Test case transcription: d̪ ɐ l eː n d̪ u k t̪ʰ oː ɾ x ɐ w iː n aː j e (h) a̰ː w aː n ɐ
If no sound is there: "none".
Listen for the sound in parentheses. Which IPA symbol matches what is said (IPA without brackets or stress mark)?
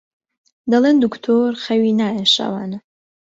ʃ